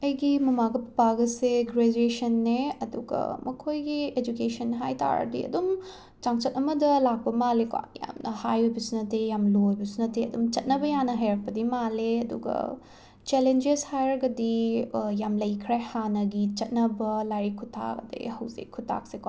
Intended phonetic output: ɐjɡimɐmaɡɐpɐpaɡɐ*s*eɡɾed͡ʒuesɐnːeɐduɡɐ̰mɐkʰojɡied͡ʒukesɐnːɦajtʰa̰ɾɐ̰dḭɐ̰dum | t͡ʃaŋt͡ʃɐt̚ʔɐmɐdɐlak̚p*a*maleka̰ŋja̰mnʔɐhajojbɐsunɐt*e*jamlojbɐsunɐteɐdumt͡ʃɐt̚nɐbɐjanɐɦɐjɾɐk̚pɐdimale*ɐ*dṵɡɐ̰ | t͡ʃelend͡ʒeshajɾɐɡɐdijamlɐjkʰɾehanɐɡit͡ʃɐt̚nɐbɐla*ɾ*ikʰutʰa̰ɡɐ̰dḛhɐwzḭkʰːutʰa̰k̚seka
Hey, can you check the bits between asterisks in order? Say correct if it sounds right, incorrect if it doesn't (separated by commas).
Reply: correct, incorrect, correct, correct, correct